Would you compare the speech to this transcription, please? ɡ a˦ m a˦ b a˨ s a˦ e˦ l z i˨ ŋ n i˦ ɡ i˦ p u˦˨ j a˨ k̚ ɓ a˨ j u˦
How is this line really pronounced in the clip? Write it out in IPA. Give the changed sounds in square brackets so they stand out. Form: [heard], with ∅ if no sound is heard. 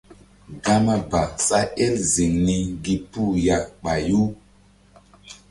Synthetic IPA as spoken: ɡ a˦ m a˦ b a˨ s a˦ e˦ l z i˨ ŋ n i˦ ɡ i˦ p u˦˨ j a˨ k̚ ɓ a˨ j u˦